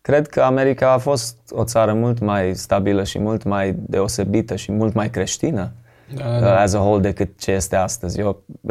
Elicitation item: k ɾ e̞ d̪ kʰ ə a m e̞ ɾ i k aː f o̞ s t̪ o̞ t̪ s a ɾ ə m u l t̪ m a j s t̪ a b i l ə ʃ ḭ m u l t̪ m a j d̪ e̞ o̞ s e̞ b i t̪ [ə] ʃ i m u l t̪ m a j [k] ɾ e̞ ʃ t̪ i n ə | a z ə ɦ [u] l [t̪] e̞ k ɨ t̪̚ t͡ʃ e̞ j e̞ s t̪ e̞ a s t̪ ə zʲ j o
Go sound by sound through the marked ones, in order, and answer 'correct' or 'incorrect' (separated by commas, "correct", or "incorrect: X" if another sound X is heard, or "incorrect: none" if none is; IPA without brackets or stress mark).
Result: correct, correct, incorrect: o, incorrect: d̪